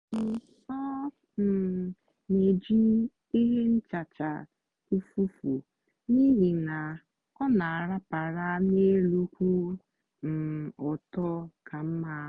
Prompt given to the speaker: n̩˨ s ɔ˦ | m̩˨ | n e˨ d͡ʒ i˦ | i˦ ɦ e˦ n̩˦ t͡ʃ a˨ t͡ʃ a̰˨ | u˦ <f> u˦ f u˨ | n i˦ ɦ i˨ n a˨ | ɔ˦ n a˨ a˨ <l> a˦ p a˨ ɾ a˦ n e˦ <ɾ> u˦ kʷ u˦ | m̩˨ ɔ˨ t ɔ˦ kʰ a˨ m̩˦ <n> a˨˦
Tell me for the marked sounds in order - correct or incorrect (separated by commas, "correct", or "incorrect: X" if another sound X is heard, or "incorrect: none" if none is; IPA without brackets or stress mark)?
correct, incorrect: ɾ, incorrect: l, incorrect: m